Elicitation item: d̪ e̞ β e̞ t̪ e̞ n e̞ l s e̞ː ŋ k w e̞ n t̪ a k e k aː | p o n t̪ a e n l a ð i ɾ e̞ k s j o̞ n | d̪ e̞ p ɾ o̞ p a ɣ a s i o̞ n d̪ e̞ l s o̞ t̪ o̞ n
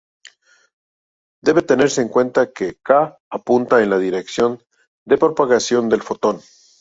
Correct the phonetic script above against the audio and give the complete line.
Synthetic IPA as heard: d̪ e̞ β e̞ t̪ e̞ n e̞ ɾ s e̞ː ŋ k w e̞ n t̪ a k e k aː | p u n t̪ a e n l a ð i ɾ e̞ k s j o̞ n | d̪ e̞ p ɾ o̞ p a ɣ a s j o̞ n d̪ e̞ l f o̞ t̪ o̞ n